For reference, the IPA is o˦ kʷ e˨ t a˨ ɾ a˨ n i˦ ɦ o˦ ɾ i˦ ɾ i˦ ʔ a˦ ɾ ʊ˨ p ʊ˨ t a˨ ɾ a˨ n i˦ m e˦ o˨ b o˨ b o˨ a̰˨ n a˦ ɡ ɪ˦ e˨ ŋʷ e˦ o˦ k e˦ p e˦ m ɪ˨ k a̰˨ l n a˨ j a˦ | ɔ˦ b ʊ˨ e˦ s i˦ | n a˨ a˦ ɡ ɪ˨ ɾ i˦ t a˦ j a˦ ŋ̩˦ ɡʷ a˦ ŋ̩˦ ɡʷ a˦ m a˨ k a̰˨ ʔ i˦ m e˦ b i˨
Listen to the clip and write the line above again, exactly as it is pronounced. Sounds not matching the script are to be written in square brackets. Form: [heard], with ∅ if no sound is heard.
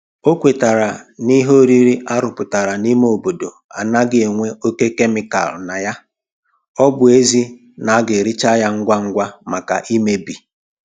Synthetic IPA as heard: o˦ kʷ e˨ t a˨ ɾ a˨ n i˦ ɦ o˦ ɾ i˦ ɾ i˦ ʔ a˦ ɾ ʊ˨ p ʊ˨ t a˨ ɾ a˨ n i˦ m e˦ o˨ b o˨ [d] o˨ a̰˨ n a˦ ɡ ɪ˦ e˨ ŋʷ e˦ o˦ k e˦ [k] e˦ m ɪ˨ k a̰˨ l n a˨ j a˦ | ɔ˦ b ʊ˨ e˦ [z] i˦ | n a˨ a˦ ɡ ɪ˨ ɾ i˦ [t͡ʃ] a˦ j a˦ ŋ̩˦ ɡʷ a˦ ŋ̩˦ ɡʷ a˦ m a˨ k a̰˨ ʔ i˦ m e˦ b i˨